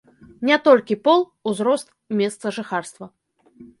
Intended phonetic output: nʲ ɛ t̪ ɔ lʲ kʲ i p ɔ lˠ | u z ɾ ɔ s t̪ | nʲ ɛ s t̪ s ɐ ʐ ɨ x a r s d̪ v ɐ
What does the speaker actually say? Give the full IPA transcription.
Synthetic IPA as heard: nʲ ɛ t̪ ɔ lʲ kʲ i p ɔ lˠ | u z ɾ ɔ s t̪ | mʲ ɛ s t̪ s ɐ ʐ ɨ x a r s t̪ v ɐ